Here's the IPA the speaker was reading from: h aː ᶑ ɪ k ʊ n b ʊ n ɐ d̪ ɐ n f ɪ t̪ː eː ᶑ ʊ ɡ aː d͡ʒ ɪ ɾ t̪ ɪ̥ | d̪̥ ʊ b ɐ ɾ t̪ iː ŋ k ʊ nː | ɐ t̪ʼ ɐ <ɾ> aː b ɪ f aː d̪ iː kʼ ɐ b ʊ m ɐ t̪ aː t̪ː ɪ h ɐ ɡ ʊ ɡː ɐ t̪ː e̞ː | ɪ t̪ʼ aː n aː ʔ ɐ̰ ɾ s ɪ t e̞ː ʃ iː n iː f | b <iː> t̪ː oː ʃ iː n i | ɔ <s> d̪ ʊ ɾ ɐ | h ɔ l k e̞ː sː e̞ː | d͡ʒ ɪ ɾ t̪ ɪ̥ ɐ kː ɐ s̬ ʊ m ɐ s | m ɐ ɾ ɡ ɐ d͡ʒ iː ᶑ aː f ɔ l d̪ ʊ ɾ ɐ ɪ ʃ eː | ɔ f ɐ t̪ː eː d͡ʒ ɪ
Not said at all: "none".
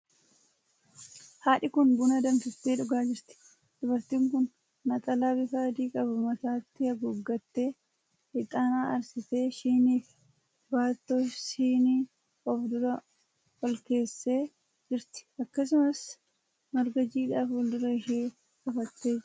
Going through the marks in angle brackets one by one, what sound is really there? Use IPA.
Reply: l, aː, f

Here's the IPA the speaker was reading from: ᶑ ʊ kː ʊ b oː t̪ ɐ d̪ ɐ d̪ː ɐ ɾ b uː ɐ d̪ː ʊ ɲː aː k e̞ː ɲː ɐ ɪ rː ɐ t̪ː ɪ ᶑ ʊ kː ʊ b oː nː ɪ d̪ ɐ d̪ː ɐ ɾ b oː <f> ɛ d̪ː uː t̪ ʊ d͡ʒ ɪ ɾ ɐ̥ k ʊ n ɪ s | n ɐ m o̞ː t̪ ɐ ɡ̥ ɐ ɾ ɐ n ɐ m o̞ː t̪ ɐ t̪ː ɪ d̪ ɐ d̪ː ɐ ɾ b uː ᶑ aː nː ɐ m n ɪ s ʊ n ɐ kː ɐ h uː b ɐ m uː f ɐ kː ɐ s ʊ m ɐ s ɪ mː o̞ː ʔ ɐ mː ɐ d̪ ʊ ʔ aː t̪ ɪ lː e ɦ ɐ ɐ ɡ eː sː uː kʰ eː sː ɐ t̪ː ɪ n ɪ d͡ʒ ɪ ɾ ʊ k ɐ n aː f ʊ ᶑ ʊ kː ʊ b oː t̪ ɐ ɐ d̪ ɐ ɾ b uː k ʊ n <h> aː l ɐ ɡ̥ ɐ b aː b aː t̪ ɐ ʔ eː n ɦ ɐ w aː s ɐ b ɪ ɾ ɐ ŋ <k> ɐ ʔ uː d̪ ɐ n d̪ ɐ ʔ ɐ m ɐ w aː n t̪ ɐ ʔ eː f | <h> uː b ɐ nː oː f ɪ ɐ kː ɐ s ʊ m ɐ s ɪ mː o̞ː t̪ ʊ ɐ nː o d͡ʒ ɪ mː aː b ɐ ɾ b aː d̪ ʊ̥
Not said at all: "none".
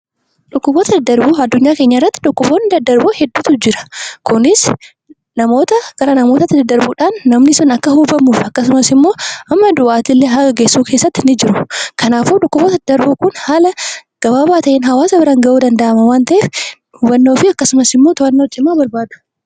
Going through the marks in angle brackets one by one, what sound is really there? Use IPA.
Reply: h, h, ɡ, h

